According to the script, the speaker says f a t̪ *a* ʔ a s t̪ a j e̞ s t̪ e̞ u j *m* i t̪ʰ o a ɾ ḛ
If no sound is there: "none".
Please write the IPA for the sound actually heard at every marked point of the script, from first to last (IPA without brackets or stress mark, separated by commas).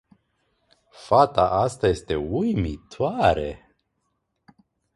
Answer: a, m